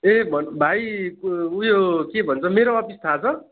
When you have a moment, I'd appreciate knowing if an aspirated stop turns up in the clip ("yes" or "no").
yes